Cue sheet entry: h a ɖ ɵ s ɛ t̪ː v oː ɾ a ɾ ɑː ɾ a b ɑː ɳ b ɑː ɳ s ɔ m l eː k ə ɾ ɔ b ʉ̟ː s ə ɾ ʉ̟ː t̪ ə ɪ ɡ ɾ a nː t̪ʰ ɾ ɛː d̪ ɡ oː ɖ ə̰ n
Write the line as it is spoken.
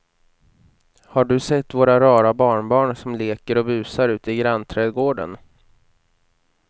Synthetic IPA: h a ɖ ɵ s ɛ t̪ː v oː ɾ a ɾ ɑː ɾ a b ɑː ɳ b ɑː ɳ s ɔ m l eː k ə ɾ ɔ b ʉ̟ː s a ɾ ʉ̟ː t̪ ə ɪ ɡ ɾ a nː t̪ʰ ɾ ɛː d̪ ɡ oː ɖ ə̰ n